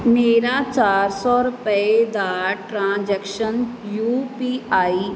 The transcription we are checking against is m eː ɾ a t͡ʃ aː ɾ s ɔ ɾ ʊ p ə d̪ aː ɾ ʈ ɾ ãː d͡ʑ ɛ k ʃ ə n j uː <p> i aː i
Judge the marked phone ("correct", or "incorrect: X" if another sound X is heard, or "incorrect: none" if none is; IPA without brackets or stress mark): correct